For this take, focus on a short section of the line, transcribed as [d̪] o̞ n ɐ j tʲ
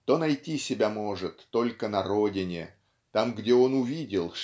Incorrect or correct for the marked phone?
incorrect: t̪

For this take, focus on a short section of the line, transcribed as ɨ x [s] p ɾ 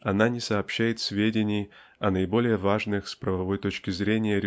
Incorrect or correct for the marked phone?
correct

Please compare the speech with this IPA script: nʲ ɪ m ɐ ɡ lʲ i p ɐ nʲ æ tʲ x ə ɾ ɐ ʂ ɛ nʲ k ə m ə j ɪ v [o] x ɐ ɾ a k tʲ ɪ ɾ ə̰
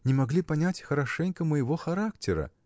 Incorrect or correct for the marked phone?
correct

